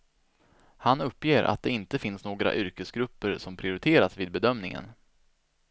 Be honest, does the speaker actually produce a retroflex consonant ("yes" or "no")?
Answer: no